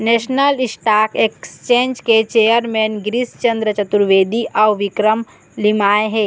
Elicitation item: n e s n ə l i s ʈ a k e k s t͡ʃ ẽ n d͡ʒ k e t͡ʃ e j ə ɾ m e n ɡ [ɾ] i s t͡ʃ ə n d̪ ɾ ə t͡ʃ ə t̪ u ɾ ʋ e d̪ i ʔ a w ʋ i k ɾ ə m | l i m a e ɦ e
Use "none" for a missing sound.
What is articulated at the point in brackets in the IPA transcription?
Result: ɾ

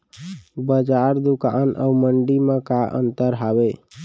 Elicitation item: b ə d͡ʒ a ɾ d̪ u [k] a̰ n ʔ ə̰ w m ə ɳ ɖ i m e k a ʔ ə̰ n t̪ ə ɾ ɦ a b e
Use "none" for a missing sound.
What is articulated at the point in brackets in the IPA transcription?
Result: k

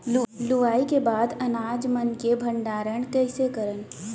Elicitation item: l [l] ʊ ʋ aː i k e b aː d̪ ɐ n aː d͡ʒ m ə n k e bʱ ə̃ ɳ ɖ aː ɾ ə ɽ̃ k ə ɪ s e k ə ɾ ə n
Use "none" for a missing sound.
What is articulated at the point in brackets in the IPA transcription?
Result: l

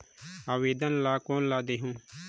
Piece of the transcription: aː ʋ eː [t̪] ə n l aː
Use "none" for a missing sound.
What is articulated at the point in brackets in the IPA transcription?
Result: d̪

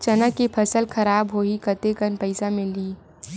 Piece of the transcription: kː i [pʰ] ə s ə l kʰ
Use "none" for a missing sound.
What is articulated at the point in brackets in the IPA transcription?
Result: pʰ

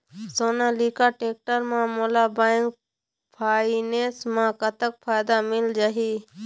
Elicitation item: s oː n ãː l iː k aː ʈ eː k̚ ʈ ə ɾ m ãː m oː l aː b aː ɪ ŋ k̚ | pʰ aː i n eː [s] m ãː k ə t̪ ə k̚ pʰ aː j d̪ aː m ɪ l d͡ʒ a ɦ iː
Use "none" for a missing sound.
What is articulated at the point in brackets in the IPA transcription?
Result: s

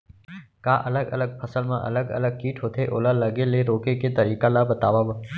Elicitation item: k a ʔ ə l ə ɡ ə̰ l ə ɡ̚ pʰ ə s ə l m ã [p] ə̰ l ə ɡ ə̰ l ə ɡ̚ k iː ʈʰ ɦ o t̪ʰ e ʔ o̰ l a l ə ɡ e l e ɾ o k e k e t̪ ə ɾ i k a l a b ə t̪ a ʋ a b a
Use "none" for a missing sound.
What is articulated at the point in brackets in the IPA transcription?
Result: ʔ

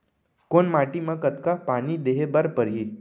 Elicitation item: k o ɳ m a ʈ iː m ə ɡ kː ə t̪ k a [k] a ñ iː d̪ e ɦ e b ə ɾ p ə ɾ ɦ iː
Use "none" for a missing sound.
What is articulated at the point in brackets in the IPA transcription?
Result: p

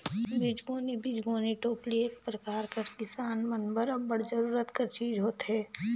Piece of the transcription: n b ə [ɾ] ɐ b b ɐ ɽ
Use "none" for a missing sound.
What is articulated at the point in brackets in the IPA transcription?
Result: ɾ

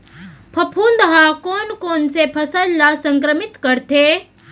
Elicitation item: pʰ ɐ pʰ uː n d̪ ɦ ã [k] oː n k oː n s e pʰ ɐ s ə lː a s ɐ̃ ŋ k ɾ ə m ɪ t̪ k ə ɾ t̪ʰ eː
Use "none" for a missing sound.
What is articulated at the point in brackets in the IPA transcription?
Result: k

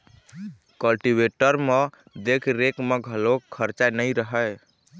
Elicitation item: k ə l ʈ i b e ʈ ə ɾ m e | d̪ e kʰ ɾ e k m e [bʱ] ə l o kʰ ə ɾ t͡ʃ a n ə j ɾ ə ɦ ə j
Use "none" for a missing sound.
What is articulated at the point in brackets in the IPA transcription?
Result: ɡʱ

